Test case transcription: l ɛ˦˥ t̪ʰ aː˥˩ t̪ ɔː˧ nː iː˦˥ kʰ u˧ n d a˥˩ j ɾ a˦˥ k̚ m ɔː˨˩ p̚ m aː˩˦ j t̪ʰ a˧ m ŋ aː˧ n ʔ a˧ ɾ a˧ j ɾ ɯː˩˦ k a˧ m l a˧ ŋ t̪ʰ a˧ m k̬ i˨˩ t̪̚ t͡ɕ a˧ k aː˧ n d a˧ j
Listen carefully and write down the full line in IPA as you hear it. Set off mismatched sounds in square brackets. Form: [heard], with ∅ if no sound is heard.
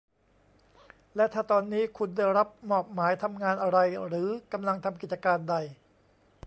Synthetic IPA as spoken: l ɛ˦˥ t̪ʰ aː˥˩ t̪ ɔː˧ nː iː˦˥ kʰ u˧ n d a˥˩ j ɾ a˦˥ [p̚] m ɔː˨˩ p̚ m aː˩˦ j t̪ʰ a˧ m ŋ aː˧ n ʔ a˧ ɾ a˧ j ɾ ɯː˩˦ k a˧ m l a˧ ŋ t̪ʰ a˧ m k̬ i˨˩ t̪̚ t͡ɕ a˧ k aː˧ n d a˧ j